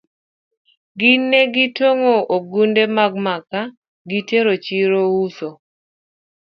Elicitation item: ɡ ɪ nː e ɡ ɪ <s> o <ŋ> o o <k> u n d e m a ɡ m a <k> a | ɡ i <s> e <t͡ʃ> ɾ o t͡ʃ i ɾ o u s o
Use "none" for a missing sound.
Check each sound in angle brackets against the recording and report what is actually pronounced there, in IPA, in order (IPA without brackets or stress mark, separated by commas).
t, ŋ, ɡ, k, t, none